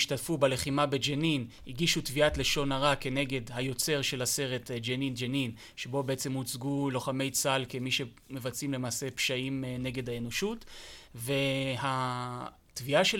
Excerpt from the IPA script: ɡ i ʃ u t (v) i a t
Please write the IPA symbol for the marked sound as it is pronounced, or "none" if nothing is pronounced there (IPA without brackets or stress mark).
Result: v